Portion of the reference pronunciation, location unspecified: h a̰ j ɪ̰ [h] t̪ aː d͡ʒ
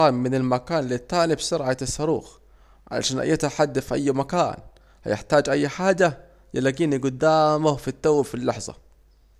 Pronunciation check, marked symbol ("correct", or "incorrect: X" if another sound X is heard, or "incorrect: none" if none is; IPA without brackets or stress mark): incorrect: ħ